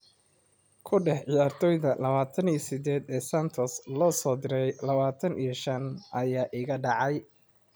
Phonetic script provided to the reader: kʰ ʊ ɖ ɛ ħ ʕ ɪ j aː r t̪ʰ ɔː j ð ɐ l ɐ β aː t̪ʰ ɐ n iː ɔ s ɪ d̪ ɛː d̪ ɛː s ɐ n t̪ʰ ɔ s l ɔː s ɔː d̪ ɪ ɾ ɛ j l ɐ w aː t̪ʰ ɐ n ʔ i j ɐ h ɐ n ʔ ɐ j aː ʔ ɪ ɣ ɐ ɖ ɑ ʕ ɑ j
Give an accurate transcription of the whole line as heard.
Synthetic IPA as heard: kʰ ʊ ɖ ɛ ħ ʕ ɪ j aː r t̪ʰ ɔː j ð ɐ l ɐ β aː t̪ʰ ɐ n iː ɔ s ɪ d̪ ɛː d̪ ɛː s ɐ n t̪ʰ ɔ s l ɔː s ɔː d̪ ɪ ɾ ɛ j l ɐ β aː t̪ʰ ɐ n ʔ i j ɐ ʃ ɐ n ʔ ɐ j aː ʔ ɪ ɣ ɐ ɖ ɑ ʕ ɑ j